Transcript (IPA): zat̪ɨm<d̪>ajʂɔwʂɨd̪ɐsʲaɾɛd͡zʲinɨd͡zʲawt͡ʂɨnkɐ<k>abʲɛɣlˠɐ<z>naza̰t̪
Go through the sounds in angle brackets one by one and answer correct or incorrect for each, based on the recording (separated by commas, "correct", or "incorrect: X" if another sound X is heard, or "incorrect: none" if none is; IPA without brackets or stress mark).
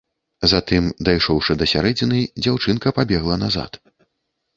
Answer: correct, incorrect: p, incorrect: none